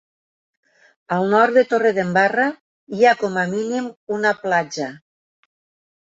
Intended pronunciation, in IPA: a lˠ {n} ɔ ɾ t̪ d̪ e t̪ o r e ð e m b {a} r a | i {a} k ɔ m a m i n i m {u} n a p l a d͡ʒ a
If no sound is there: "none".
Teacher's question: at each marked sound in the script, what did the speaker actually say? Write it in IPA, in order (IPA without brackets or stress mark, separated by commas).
n, a, a, u